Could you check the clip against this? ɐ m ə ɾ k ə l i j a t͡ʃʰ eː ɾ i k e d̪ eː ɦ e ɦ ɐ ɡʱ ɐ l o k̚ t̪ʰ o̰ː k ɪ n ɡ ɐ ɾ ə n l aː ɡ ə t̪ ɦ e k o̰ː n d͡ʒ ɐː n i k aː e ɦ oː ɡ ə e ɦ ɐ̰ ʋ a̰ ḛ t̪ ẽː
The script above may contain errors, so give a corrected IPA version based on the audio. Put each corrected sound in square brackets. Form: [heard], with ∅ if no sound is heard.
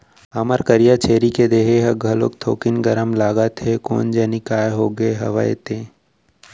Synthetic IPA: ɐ m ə ɾ k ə [ɾ] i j a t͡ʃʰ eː ɾ i k e d̪ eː ɦ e ɦ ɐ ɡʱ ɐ l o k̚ t̪ʰ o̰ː k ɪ n ɡ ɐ ɾ ə [m] l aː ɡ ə t̪ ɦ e k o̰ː n d͡ʒ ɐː n i k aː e ɦ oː ɡ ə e ɦ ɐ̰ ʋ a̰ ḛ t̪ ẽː